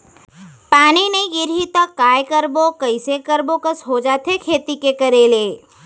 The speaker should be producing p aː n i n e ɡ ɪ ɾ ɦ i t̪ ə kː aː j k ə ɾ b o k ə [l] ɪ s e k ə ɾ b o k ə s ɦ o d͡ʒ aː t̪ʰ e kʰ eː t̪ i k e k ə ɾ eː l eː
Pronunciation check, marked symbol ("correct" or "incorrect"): incorrect